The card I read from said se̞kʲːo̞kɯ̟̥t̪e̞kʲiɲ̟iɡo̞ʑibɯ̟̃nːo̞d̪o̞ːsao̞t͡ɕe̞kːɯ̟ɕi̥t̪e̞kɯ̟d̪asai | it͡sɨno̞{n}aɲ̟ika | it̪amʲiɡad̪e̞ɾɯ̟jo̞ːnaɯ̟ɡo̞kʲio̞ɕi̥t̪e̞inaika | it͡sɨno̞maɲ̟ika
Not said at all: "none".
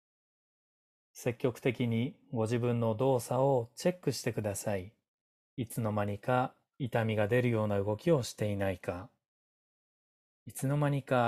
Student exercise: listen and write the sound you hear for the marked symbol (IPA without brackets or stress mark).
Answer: m